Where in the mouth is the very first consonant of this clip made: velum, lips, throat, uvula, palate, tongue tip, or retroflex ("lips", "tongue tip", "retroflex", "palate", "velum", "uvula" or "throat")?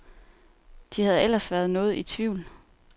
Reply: tongue tip